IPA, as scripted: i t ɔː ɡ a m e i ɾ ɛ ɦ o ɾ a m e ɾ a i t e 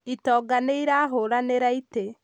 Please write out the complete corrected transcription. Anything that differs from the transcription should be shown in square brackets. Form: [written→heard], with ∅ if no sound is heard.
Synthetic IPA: i t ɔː ɡ a [m→n] e i ɾ [ɛ→a] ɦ o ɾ a [m→n] e ɾ a i t e